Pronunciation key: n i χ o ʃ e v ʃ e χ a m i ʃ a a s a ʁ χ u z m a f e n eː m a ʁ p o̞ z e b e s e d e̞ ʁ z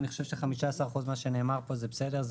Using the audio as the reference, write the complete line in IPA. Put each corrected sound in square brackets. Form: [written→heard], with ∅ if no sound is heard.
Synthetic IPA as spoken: n i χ o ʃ e v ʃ e χ a m i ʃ a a s a ʁ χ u z m a [f→ʃ] e n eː m a ʁ p o̞ z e b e s e d e̞ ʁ z